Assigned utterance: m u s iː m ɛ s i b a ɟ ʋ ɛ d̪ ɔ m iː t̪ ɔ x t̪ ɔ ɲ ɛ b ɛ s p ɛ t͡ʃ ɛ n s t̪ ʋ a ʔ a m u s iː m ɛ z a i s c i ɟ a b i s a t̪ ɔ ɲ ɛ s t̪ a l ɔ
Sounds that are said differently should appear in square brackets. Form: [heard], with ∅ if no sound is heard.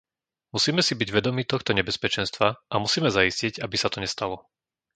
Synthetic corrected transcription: m u s iː m ɛ s i b [i] ɟ ʋ ɛ d̪ ɔ m iː t̪ ɔ x t̪ ɔ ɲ ɛ b ɛ s p ɛ t͡ʃ ɛ n s t̪ ʋ a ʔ a m u s iː m ɛ z a i s c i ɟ a b i s a t̪ ɔ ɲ ɛ s t̪ a l ɔ